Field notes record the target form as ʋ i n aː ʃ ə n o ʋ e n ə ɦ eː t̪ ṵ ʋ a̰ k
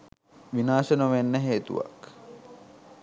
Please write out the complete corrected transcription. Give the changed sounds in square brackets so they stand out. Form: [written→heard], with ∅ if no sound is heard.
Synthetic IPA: ʋ i n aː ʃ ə n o ʋ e [n→nː] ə ɦ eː t̪ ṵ ʋ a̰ k